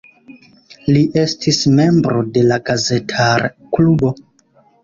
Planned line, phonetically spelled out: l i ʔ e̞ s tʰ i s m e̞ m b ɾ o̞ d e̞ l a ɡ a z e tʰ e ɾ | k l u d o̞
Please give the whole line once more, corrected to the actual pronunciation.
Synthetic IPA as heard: l i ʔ e̞ s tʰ i s m e̞ m b ɾ o̞ d e̞ l a ɡ a z e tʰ a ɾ | k l u b o̞